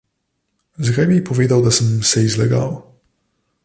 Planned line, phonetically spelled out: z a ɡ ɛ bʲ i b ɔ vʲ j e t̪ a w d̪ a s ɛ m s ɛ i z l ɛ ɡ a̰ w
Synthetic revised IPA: z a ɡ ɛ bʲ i p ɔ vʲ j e d̪ a w d̪ a s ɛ m s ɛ i z l ɛ ɡ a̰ w